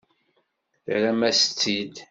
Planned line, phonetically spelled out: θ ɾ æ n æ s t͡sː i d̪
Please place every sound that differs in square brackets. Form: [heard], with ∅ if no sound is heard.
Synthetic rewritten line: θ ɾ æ [m] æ s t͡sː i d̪